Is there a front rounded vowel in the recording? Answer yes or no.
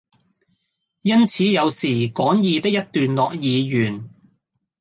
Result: yes